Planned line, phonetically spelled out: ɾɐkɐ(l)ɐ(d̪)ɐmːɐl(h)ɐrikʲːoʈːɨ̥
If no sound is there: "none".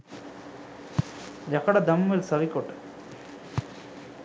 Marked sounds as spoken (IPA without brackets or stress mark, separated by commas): ɽ, d̪, s